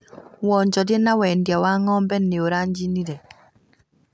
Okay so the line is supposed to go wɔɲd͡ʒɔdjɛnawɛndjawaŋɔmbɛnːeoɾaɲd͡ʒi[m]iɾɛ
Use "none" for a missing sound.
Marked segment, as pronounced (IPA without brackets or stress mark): n